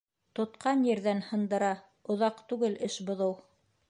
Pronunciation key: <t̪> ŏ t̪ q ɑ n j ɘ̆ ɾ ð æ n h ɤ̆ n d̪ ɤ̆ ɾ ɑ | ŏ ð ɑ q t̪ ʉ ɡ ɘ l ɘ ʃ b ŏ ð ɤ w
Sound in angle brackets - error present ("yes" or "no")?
no